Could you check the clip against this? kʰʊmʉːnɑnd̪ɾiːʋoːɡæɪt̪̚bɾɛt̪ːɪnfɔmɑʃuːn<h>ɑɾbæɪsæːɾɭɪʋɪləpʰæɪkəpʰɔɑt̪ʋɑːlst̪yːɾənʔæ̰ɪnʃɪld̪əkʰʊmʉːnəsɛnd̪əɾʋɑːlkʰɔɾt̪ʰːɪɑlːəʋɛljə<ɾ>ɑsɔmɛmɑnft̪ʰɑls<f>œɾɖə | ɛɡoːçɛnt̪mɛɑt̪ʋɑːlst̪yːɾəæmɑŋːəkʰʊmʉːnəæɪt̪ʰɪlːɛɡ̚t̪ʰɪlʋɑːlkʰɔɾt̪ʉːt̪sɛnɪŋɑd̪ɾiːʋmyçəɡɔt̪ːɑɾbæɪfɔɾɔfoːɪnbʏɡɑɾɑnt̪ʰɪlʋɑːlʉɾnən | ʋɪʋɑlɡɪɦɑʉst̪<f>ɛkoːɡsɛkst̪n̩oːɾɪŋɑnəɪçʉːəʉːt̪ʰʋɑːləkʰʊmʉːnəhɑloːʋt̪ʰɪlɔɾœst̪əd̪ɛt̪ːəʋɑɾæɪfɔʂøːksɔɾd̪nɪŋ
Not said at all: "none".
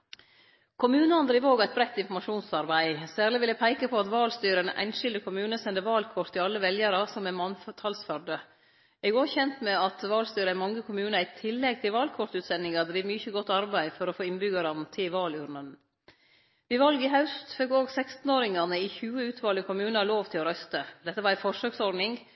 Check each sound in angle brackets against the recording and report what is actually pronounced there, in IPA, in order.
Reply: s, ɾ, f, f

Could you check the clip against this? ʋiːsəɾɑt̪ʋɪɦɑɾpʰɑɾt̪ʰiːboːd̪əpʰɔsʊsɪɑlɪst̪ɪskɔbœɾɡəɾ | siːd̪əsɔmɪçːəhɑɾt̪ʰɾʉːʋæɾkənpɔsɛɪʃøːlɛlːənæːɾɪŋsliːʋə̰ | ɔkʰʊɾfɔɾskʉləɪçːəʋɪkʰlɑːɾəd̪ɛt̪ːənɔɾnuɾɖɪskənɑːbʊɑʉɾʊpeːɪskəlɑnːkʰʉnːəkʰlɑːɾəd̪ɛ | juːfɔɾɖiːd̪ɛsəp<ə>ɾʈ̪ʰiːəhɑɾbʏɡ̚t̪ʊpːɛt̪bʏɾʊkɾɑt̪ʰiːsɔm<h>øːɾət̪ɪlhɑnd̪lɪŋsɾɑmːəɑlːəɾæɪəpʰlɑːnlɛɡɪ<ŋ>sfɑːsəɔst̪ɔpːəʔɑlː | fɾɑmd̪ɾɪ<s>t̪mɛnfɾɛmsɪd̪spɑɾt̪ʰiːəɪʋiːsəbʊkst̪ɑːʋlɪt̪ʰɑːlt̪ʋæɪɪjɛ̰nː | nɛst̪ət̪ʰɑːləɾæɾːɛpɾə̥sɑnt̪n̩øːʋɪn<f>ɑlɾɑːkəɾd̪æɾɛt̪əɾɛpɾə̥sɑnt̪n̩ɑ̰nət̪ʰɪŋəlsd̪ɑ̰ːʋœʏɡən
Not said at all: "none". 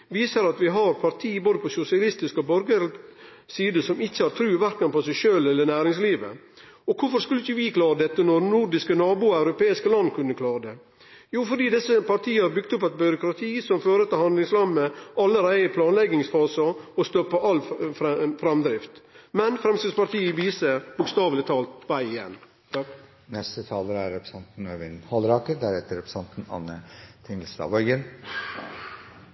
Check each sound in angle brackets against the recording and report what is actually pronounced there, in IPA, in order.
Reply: ɑ, f, ŋ, f, h

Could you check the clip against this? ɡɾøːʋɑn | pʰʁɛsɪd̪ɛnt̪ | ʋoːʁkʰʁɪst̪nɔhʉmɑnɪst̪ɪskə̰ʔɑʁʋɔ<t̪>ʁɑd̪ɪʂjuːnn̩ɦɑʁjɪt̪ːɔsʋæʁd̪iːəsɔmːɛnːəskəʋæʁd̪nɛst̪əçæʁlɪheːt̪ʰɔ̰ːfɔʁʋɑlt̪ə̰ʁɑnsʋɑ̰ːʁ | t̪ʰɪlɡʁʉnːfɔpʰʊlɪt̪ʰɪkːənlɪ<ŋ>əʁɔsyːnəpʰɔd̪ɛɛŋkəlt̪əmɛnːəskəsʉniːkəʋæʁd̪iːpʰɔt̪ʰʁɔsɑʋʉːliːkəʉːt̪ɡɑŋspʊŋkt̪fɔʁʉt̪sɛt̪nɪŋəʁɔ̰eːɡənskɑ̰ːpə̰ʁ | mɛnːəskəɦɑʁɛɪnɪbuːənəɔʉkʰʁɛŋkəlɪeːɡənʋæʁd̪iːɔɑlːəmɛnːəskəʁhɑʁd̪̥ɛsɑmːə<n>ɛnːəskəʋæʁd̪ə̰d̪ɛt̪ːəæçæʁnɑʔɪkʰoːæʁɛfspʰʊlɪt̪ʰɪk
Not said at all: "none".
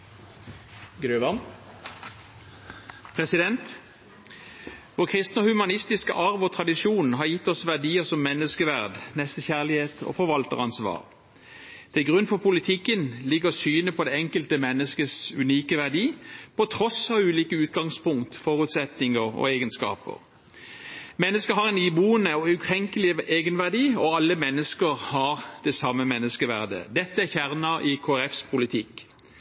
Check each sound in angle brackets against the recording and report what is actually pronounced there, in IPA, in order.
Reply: t̪ʰ, ɡ, m

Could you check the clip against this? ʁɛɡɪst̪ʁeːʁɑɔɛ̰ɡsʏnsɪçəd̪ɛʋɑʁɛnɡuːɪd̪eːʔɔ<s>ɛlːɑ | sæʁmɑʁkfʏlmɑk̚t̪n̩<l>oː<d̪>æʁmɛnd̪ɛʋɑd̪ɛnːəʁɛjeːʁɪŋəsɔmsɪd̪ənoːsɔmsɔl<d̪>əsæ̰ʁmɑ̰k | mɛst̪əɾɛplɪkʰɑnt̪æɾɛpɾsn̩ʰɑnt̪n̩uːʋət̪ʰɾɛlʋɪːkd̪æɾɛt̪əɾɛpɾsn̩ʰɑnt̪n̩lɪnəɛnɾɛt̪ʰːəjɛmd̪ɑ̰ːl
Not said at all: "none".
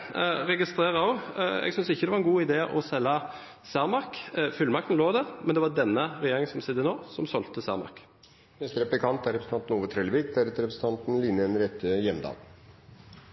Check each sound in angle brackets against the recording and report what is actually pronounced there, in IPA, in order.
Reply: s, l, d̪, t̪

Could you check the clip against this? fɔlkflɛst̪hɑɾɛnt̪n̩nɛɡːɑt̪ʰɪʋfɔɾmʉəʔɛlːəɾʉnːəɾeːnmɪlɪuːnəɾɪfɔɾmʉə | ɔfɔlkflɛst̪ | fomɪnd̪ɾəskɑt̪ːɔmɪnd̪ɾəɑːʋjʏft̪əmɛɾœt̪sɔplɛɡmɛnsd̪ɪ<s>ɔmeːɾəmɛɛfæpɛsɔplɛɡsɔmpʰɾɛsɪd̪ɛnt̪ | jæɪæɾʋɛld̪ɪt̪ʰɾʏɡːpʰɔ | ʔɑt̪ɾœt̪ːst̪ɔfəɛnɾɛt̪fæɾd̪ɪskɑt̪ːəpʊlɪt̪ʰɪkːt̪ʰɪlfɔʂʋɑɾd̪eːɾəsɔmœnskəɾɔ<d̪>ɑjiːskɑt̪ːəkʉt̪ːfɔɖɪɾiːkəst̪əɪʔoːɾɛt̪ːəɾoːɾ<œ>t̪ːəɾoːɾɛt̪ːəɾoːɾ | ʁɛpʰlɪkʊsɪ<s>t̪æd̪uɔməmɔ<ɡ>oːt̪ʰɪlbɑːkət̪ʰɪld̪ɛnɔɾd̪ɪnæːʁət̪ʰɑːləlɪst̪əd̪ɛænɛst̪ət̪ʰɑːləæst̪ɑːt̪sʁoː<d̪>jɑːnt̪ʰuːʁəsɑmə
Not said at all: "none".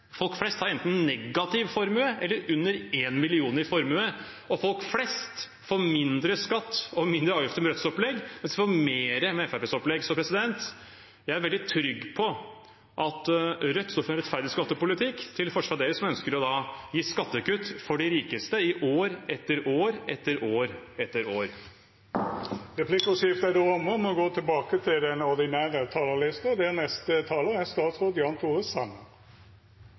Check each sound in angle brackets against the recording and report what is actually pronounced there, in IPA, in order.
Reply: f, d̪, ɛ, f, ɡ, d̪

